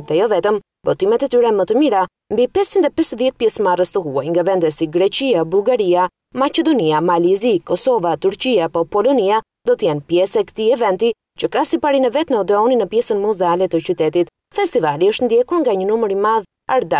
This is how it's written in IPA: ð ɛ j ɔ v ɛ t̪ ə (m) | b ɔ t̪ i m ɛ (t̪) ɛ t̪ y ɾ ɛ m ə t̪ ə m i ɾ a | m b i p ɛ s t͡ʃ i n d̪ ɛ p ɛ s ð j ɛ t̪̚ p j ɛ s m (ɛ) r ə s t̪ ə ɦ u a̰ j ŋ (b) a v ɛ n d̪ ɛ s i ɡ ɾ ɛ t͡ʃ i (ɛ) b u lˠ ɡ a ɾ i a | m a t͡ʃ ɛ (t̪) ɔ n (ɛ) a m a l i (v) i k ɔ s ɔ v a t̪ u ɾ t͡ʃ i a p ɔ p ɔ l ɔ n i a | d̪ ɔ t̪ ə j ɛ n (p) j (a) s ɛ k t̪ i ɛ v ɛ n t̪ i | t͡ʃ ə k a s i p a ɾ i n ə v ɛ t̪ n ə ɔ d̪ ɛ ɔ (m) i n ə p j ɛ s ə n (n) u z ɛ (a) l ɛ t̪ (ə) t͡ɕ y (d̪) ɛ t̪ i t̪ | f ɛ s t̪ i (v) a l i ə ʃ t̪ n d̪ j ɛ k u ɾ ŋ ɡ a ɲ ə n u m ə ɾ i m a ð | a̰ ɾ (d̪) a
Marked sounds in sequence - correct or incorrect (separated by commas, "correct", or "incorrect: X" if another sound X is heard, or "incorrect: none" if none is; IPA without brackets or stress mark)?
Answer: correct, correct, incorrect: a, incorrect: ɡ, incorrect: a, incorrect: d̪, incorrect: i, incorrect: z, correct, incorrect: ɛ, incorrect: n, incorrect: m, correct, correct, incorrect: t̪, correct, correct